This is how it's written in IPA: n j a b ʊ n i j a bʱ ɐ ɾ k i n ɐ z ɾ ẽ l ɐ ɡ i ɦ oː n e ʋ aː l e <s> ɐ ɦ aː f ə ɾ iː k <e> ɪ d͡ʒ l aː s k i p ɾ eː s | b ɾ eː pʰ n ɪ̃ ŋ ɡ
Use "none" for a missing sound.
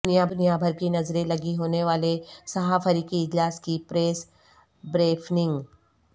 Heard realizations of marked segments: s, i

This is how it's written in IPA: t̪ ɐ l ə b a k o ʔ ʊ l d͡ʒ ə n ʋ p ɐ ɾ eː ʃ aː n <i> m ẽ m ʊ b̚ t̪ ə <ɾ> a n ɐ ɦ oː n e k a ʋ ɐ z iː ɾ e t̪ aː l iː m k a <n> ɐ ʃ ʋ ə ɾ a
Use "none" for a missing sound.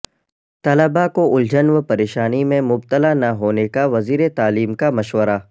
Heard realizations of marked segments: i, l, m

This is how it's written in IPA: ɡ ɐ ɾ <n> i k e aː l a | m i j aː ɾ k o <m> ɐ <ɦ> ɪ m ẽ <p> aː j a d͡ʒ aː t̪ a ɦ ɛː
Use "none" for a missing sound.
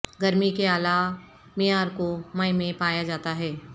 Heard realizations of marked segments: m, m, none, p

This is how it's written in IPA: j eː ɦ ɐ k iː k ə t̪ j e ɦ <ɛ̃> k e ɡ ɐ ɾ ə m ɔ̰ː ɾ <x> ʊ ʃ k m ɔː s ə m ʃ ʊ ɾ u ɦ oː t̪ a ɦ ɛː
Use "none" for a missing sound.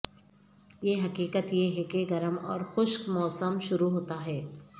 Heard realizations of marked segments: ɛ, x

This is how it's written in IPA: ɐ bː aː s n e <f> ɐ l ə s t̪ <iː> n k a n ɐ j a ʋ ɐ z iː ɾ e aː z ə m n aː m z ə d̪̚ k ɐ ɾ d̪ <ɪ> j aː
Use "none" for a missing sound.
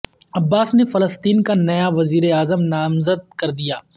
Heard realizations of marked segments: f, iː, i

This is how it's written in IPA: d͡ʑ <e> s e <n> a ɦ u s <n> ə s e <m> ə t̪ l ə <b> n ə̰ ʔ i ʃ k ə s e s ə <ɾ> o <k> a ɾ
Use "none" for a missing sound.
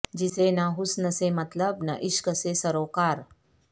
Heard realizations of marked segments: i, n, n, m, b, ɾ, k

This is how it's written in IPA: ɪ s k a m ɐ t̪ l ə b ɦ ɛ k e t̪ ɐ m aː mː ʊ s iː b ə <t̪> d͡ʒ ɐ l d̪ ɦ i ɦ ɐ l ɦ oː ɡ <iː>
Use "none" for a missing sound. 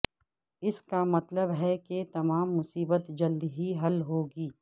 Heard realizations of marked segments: t̪, iː

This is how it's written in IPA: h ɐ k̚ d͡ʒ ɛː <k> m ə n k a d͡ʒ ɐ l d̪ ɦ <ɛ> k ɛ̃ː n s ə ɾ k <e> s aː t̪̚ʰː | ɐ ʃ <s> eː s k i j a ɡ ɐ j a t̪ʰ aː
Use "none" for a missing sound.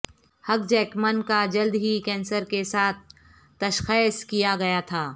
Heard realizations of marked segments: k, i, e, x

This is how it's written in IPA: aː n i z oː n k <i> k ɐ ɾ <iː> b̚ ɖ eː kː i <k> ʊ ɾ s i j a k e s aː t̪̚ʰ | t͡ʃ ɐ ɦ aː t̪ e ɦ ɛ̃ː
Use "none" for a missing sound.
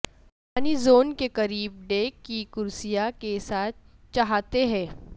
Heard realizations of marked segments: e, iː, k

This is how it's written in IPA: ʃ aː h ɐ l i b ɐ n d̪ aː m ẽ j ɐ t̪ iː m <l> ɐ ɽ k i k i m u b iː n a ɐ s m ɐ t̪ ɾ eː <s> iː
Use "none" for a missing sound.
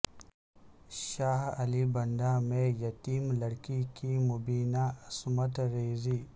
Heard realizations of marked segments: l, z

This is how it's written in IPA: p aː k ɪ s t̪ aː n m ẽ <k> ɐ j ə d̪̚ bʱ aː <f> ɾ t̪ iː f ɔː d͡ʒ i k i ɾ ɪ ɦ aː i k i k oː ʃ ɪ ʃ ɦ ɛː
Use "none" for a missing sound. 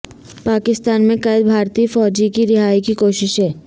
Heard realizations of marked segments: k, none

